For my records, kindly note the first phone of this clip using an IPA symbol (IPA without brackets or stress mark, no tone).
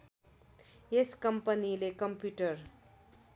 e